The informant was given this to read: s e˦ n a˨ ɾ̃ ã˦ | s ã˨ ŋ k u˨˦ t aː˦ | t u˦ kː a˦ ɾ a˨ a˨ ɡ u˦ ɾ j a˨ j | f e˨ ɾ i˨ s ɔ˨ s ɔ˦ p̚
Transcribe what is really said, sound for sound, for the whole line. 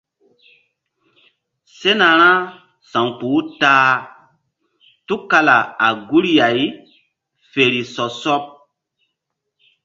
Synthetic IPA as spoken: s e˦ n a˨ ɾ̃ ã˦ | s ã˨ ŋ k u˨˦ t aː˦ | t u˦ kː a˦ l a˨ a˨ ɡ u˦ ɾ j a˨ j | f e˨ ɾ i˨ s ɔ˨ s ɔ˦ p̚